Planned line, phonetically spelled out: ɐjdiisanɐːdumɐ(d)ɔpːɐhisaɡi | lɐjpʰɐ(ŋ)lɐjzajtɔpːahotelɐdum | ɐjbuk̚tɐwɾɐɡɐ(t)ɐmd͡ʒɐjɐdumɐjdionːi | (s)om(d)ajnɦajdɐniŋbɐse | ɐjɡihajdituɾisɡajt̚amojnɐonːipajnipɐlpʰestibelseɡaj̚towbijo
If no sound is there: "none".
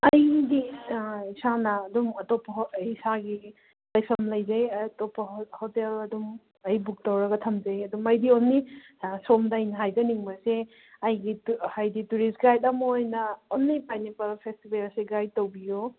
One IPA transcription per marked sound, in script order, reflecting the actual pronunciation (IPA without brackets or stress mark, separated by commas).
t, m, tʰ, s, d